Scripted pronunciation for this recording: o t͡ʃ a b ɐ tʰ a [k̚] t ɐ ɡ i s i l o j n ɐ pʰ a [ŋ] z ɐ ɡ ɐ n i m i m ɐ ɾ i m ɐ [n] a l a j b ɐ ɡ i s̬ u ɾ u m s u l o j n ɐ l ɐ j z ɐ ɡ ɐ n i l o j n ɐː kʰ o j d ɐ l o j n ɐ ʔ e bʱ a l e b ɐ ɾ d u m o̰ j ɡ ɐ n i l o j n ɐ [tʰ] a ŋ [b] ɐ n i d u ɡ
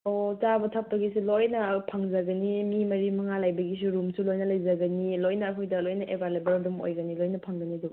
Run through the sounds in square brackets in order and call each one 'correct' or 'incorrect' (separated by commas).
incorrect, correct, incorrect, incorrect, incorrect